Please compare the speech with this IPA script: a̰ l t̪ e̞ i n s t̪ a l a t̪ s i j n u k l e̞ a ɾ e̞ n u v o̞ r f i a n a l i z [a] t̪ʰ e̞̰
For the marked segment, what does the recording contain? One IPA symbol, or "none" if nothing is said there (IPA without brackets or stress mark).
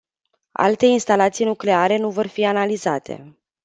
a